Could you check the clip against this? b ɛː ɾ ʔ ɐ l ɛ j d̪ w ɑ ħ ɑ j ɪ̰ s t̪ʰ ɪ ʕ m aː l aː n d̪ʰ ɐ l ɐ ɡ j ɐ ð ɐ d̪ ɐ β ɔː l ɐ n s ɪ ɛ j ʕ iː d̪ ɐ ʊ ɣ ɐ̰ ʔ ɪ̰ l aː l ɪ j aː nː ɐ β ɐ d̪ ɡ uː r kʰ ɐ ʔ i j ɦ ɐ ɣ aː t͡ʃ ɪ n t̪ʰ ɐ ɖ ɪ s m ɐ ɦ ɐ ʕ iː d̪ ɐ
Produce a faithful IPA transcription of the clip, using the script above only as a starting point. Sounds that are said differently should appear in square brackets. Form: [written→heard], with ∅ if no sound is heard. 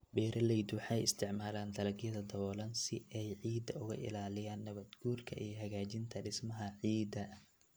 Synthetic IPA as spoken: b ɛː ɾ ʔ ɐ l ɛ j d̪ w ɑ ħ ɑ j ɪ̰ s t̪ʰ ɪ ʕ m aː l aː n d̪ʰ ɐ l ɐ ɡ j ɐ ð ɐ d̪ ɐ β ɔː l ɐ n s ɪ ɛ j ʕ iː d̪ ɐ ʊ ɣ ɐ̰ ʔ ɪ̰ l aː l ɪ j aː nː ɐ β ɐ d̪ ɡ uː r kʰ ɐ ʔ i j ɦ ɐ ɣ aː t͡ʃ ɪ n t̪ʰ ɐ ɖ ɪ s m ɐ ɦ ɐ ʕ iː d̪ ɐ